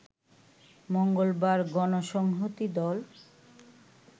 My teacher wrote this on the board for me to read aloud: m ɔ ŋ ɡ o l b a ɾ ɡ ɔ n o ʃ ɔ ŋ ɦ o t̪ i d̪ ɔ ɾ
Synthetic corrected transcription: m o ŋ ɡ o l b a ɾ ɡ ɔ n o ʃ ɔ ŋ ɦ o t̪ i d̪ ɔ l